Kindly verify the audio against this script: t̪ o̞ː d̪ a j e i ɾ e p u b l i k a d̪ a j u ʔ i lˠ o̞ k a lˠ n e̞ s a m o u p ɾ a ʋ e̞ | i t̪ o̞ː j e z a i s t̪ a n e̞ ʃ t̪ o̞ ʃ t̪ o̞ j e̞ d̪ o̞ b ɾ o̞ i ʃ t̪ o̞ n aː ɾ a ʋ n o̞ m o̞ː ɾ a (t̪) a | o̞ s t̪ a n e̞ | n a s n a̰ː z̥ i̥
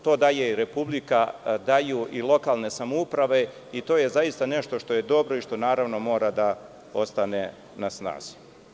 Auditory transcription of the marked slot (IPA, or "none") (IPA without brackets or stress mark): d̪